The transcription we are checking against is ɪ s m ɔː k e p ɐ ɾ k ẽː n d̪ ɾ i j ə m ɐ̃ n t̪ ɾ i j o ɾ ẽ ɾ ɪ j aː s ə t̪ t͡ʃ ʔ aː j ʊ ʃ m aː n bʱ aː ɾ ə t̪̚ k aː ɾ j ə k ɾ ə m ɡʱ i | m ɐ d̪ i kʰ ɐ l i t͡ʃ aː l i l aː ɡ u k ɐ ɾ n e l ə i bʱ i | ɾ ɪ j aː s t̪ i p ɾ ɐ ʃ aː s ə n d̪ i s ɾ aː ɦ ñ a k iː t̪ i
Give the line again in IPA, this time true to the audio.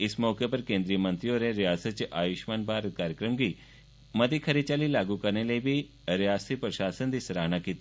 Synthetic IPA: ɪ s m ɔː k e p ɐ ɾ k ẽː n d̪ ɾ i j ə m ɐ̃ n t̪ ɾ i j o ɾ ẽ ɾ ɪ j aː s ə t̪ t͡ʃ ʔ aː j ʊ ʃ m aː n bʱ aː ɾ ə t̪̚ k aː ɾ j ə k ɾ ə m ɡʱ i | m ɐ d̪ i kʰ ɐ ɾ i t͡ʃ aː l i l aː ɡ u k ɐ ɾ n e l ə i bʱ i | ɾ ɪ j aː s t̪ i p ɾ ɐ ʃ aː s ə n d̪ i s ɾ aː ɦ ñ a k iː t̪ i